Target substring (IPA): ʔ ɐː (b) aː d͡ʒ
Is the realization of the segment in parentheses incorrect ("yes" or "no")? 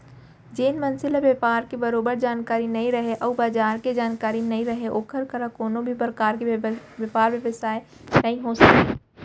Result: no